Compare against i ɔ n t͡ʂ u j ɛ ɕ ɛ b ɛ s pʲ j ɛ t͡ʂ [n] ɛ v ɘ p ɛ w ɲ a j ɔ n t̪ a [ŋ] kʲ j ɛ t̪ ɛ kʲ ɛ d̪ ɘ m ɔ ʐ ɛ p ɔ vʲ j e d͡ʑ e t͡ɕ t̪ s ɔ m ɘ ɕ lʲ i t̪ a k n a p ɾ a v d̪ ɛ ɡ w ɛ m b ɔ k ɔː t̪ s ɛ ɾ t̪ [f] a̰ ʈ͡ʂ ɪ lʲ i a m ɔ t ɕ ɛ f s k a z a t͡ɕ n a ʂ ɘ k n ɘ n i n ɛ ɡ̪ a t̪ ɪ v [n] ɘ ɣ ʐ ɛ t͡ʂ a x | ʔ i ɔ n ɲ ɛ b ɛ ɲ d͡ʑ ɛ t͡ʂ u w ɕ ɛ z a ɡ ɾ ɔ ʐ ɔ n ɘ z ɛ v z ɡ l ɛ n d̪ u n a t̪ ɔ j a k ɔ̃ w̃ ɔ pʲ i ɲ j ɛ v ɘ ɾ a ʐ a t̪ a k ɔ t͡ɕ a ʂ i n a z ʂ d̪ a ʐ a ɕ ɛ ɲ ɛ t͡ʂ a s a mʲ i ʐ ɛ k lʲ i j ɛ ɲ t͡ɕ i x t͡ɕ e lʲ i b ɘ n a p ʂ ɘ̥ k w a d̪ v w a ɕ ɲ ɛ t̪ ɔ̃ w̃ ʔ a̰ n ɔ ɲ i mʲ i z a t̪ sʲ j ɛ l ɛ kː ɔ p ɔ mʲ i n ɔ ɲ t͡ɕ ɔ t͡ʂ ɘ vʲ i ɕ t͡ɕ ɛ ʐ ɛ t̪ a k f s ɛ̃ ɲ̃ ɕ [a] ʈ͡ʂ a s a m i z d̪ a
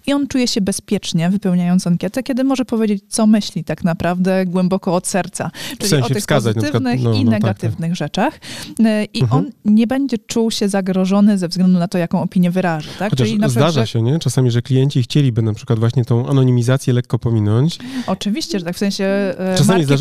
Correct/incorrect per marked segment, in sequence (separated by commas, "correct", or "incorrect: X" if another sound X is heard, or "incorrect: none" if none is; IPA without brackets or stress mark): incorrect: ɲ, correct, incorrect: s, correct, incorrect: ɛ